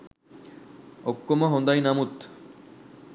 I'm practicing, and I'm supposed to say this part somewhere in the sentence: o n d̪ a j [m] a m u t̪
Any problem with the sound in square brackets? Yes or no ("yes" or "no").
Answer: yes